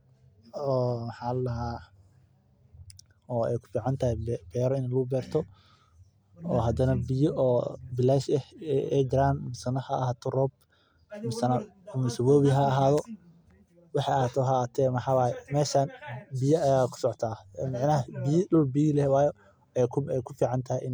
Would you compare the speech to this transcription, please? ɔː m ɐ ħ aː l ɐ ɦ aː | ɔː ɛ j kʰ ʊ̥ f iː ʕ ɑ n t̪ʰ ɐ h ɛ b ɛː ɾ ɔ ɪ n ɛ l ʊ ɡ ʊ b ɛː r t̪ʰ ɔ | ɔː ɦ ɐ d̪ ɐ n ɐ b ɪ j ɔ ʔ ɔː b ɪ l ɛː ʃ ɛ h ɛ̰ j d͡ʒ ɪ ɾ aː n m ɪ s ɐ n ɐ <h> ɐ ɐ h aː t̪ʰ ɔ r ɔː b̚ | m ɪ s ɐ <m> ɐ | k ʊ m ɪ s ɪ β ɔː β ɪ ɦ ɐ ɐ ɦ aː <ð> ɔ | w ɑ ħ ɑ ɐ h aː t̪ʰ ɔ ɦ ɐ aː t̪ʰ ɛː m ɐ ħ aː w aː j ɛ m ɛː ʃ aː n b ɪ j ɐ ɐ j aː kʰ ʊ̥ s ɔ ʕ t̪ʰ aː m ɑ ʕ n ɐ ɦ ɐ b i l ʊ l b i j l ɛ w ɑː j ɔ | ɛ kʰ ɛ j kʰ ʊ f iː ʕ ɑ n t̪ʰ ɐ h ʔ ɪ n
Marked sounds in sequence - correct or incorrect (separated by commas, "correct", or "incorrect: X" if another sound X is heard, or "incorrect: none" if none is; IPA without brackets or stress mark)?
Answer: correct, incorrect: n, correct